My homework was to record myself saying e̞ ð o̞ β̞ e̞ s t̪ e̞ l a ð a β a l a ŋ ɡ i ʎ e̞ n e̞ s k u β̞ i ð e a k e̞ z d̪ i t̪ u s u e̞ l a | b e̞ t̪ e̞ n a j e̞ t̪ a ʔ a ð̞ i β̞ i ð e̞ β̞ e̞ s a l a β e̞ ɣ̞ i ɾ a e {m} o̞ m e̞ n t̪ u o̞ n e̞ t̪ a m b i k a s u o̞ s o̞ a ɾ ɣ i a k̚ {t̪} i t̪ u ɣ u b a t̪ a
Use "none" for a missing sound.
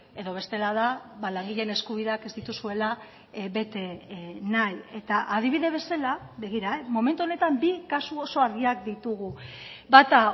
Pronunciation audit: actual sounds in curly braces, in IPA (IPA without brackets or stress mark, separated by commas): m, d̪